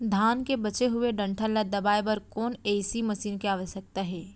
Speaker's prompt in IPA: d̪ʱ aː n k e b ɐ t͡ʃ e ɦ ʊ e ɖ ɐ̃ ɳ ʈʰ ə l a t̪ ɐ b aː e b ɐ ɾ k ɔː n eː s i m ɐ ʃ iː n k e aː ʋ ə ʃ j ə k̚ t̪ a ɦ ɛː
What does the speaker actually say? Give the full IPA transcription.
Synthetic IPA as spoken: d̪ʱ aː n k e b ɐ t͡ʃ e ɦ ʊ e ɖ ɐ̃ ɳ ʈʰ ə l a d̪ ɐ b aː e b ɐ ɾ k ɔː n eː s i m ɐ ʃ iː n k e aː ʋ ə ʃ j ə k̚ t̪ a ɦ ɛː